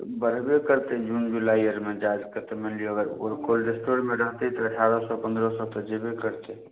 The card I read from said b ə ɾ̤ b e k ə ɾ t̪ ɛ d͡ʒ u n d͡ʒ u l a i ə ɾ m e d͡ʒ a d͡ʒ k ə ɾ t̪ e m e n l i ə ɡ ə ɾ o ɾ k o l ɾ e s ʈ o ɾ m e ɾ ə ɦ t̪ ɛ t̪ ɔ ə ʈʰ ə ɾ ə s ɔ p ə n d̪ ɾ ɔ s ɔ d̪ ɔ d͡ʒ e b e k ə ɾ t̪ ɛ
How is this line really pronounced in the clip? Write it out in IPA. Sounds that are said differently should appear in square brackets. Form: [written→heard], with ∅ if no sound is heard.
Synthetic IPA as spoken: b ə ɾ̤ b e k ə ɾ t̪ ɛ d͡ʒ u n d͡ʒ u l a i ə ɾ m e d͡ʒ a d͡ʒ k ə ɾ t̪ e m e n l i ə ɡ ə ɾ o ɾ k o l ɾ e s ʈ o ɾ m e ɾ ə ɦ t̪ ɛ t̪ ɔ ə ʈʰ [ə→a] ɾ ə s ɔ p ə n d̪ ɾ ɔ s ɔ [d̪→t̪] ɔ d͡ʒ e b e k ə ɾ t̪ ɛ